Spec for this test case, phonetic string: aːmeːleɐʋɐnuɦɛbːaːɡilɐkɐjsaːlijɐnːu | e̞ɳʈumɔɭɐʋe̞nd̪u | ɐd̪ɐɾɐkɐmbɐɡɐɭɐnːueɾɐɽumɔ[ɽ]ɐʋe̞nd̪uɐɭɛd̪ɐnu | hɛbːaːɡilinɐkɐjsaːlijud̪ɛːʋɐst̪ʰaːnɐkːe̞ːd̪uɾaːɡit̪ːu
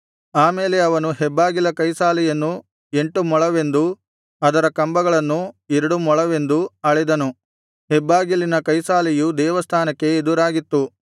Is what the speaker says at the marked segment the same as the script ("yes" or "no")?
no